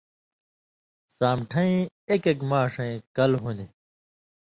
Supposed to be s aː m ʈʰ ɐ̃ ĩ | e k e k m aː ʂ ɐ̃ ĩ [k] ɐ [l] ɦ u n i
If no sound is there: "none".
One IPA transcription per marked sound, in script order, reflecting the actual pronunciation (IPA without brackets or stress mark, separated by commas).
k, l